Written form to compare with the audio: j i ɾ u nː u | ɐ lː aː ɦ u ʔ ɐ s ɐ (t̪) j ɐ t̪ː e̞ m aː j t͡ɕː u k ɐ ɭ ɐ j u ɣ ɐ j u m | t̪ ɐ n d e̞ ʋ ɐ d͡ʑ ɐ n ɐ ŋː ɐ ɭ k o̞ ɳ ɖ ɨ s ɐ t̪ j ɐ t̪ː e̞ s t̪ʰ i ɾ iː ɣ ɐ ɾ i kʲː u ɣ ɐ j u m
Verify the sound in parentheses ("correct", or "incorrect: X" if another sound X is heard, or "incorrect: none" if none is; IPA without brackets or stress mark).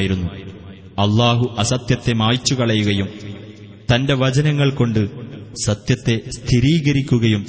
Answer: correct